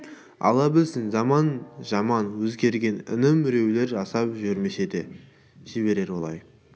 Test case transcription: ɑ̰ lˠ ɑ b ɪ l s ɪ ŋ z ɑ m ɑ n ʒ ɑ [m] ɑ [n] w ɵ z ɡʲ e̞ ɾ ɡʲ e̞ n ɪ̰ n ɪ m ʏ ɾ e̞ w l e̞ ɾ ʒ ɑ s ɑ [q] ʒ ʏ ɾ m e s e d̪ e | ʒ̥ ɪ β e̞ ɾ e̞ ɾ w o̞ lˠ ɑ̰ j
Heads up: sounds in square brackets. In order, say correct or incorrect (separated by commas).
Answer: correct, correct, incorrect